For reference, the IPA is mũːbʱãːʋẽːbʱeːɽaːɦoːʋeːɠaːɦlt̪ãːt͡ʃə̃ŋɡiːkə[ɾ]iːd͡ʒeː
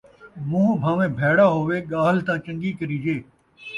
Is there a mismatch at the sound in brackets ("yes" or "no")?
no